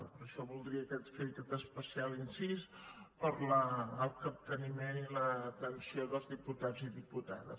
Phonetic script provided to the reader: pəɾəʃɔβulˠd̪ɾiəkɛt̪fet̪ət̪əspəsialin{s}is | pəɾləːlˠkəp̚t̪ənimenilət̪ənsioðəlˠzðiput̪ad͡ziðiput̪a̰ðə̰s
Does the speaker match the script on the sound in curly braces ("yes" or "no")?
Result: yes